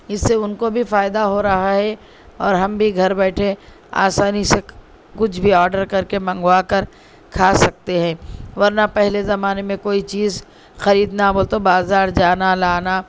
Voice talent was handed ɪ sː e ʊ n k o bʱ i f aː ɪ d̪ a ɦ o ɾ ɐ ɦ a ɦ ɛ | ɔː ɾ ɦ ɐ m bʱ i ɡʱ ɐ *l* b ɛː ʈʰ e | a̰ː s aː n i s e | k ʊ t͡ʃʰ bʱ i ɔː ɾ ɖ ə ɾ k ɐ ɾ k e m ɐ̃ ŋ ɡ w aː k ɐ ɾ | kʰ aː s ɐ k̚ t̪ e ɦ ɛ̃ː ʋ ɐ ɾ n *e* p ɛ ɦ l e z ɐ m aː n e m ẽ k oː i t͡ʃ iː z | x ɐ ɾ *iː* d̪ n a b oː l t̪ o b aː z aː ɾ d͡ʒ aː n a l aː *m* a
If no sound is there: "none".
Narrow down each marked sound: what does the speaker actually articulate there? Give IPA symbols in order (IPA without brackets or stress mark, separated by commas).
ɾ, a, iː, n